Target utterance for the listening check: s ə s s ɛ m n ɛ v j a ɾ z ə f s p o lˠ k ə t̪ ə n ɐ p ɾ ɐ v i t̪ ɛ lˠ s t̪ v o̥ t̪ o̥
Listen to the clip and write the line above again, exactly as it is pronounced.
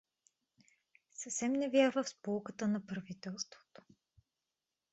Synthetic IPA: s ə f s ɛ m n ɛ v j a ɾ v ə f s p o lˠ k ə t̪ ə n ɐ p ɾ ɐ v i t̪ ɛ lˠ s t̪ v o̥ t̪ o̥